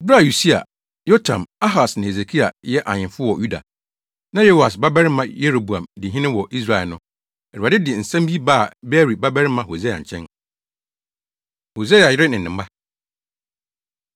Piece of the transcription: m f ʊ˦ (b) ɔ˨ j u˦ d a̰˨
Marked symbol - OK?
no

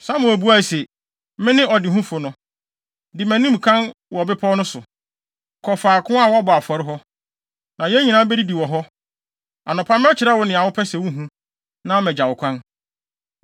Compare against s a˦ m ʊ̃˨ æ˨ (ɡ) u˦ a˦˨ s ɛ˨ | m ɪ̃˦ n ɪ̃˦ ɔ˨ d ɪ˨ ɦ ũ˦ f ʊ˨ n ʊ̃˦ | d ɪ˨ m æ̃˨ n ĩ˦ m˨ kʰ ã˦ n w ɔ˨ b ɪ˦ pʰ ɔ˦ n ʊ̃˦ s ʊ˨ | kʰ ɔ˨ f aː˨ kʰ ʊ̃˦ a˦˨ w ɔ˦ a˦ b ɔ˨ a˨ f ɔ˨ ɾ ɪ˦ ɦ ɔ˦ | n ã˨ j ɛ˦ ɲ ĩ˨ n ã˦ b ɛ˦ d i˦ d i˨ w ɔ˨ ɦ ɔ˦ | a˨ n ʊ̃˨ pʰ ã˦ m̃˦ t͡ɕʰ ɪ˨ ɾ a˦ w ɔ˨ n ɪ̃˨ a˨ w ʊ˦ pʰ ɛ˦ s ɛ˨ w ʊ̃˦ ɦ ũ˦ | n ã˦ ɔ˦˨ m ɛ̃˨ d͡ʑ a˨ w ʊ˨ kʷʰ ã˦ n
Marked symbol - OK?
no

